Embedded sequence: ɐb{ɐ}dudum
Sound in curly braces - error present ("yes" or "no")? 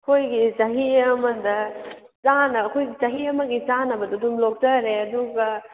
no